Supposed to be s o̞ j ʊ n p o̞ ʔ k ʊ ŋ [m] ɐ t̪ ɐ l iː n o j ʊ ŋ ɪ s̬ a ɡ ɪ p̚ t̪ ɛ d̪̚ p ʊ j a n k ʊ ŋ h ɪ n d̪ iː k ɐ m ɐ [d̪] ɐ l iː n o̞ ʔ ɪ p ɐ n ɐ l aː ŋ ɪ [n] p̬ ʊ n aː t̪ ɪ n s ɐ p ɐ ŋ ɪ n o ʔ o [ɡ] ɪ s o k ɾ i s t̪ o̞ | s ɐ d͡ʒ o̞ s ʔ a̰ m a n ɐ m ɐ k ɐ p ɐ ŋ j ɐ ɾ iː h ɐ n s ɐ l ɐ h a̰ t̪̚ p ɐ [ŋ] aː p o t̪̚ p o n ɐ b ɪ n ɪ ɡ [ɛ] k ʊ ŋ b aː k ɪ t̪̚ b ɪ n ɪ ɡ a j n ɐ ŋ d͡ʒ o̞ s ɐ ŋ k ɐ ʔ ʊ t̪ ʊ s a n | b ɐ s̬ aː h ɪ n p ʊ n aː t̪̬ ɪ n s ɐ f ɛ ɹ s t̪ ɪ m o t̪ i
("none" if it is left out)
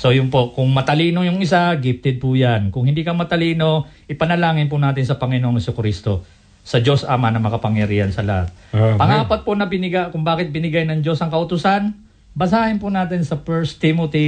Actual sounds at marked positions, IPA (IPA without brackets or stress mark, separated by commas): m, t̪, n, ŋ, ŋ, a